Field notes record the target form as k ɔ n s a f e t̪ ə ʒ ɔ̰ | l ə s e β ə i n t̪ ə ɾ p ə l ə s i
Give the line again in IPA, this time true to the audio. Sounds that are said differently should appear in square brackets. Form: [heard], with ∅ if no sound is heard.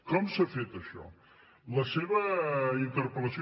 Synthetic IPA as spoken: k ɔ [m] s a f e t̪ ə [ʃ] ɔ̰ | l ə s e β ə i n t̪ ə ɾ p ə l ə s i